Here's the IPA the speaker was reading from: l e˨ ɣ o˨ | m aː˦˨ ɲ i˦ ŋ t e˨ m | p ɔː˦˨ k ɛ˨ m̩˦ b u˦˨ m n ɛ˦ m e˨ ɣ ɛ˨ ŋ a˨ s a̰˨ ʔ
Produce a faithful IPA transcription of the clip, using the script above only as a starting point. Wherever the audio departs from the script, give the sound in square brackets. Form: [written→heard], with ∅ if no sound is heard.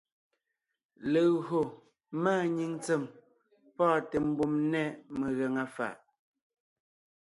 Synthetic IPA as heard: l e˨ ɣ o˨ | m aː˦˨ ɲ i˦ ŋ [t→t͡s] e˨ m | p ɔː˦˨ [k→t] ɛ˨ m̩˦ b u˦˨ m n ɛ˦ m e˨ ɣ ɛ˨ ŋ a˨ [s→f] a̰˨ ʔ